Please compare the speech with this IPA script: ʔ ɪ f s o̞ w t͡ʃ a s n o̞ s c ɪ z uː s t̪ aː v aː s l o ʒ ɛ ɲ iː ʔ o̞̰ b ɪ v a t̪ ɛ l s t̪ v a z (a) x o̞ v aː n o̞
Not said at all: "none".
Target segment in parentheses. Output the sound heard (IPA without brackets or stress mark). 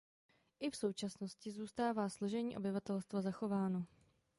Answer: a